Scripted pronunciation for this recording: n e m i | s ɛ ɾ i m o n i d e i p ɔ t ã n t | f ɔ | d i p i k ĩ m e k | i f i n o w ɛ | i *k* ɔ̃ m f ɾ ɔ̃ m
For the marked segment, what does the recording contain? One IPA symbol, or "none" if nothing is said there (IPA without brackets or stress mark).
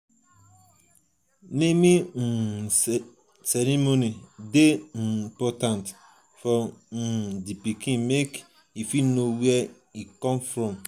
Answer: k